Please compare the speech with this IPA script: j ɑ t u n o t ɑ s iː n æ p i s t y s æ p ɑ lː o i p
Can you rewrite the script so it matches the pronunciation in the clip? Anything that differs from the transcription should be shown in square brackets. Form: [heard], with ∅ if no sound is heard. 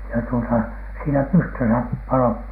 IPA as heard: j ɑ t u [∅] o t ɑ s iː n æ p [y] s t [ø] s æ p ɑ [l] o i p